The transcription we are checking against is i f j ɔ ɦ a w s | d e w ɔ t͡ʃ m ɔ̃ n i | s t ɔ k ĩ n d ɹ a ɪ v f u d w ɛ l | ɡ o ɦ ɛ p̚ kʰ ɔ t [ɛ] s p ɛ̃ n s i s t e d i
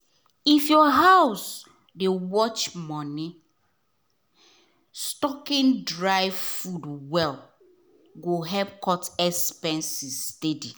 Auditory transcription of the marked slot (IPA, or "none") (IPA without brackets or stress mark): ɛ